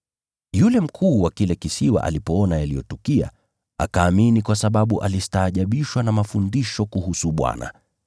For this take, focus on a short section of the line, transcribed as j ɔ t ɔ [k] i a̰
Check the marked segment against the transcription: correct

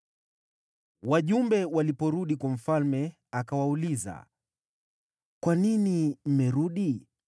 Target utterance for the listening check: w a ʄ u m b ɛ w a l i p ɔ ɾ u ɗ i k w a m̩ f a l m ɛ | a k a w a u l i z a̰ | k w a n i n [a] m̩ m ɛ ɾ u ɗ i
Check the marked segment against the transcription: incorrect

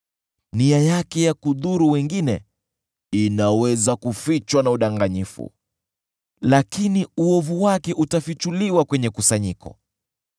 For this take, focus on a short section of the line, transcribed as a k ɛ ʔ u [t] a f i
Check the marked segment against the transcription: correct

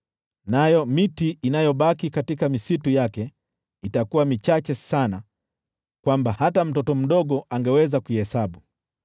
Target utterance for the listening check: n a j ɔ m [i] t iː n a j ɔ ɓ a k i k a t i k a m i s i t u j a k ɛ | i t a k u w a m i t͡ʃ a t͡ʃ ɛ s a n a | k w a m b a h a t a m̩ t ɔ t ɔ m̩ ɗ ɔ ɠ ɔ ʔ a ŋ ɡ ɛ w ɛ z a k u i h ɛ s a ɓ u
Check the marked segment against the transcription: correct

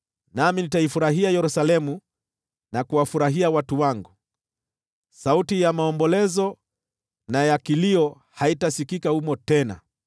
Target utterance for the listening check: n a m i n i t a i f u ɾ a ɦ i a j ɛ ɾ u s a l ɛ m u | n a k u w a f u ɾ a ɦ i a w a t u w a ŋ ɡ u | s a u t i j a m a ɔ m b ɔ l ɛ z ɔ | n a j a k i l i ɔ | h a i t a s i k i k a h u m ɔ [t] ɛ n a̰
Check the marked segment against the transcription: correct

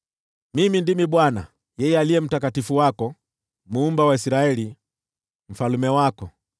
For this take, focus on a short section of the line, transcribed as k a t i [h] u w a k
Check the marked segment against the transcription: incorrect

